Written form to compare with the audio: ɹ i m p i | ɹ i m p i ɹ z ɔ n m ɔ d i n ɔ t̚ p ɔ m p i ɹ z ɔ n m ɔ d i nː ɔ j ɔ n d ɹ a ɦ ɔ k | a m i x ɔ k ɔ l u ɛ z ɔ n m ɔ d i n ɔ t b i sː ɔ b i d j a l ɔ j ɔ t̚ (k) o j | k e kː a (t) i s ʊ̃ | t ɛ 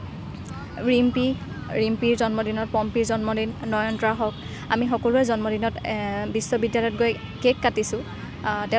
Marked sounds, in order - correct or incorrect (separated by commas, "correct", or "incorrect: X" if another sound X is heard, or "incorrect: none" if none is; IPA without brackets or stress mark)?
incorrect: ɡ, correct